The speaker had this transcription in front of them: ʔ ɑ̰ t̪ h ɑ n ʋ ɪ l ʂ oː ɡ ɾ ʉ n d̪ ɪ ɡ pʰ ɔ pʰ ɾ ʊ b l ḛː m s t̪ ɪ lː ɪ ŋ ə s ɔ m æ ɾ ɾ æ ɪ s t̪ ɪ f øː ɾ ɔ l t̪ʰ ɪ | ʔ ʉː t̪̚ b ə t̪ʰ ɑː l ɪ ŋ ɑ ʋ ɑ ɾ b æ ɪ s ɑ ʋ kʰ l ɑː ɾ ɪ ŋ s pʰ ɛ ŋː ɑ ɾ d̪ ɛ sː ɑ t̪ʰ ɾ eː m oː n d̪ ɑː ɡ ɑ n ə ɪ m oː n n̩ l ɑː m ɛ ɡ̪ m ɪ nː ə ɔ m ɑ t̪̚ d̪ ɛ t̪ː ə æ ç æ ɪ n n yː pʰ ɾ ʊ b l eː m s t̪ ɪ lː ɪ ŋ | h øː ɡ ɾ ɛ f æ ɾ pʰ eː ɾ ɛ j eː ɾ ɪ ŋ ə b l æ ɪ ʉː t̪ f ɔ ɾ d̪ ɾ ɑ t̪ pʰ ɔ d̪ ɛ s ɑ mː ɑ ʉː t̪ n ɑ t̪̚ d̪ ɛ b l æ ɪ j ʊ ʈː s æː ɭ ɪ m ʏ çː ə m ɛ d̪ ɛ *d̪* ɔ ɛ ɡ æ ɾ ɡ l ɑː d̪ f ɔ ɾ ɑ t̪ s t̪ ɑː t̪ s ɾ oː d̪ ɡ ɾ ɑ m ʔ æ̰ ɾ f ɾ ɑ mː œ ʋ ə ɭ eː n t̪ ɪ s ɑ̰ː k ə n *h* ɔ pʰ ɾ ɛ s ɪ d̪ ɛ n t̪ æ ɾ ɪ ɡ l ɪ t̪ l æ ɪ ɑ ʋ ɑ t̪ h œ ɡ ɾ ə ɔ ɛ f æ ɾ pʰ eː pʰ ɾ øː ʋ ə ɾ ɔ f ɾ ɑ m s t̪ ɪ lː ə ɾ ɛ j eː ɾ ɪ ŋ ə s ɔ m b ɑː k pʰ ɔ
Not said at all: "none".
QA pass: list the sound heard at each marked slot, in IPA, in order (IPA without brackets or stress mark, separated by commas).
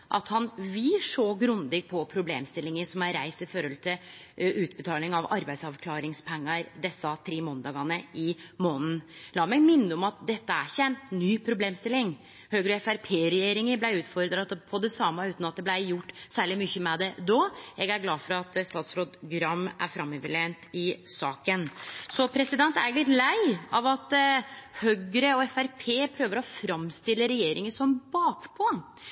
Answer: d̪, s